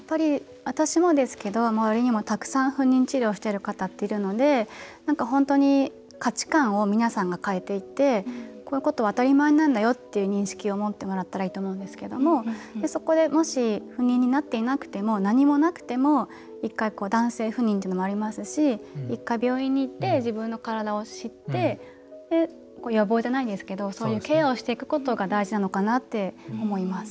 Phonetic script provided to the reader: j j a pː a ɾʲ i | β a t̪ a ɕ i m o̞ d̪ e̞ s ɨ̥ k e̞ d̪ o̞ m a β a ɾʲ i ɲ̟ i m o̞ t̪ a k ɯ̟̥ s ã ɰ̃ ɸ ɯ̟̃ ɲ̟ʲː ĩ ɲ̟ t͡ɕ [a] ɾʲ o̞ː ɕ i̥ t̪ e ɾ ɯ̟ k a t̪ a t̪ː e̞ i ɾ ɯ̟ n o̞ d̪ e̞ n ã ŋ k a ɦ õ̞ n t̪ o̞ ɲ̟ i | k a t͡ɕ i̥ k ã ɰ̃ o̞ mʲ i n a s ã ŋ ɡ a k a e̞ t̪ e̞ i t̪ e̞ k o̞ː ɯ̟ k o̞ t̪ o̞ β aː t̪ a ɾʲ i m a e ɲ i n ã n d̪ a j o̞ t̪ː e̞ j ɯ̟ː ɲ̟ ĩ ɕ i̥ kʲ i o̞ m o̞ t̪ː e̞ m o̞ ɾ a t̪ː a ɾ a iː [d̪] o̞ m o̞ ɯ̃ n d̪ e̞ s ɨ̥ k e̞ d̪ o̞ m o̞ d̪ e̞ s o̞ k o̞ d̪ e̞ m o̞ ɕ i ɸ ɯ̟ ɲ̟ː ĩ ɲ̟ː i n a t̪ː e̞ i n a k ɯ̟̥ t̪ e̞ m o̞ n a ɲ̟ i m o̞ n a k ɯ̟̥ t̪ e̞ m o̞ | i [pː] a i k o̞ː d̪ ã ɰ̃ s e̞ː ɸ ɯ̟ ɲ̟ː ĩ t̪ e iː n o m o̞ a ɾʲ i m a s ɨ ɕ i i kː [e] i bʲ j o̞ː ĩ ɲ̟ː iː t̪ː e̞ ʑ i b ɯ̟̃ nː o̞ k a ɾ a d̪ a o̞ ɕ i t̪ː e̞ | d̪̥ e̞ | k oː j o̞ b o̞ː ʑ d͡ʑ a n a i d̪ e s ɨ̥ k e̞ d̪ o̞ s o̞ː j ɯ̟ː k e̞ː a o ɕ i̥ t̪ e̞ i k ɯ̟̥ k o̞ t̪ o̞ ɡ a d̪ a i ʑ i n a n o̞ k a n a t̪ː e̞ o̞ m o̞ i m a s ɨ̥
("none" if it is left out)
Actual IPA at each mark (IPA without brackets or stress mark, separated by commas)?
i, t̪, kː, a